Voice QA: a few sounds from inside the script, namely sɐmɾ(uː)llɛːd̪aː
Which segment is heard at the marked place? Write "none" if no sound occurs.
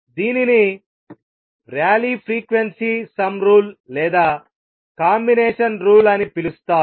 uː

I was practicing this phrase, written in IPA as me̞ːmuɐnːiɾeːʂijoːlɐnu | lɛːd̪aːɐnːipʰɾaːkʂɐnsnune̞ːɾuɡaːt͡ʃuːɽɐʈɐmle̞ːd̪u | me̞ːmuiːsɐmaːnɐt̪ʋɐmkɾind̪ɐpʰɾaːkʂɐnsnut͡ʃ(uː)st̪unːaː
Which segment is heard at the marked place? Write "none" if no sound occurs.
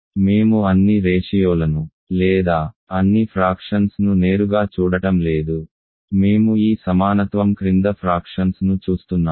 uː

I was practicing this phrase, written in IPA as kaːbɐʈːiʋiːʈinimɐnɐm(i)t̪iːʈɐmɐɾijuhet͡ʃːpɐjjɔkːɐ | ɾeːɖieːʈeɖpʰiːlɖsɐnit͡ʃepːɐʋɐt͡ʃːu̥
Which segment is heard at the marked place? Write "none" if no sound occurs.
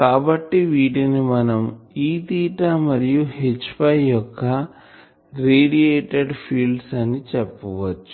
iː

